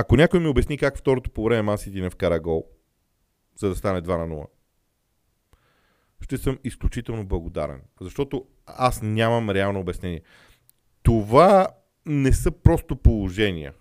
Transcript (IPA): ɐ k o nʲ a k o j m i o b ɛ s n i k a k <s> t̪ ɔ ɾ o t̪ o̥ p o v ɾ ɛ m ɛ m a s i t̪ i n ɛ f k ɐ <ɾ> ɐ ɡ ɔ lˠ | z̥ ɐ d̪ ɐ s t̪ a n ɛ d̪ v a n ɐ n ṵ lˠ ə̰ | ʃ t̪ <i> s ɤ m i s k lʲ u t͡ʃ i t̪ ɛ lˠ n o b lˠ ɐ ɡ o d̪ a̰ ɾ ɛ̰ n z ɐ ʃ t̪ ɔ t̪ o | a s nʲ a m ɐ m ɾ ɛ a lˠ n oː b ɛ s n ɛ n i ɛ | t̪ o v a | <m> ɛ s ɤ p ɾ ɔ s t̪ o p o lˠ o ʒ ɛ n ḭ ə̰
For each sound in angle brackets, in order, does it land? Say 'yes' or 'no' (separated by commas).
no, yes, no, no